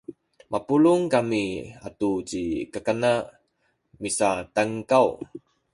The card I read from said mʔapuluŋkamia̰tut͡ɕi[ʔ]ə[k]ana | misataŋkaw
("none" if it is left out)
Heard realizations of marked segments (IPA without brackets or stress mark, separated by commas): k, k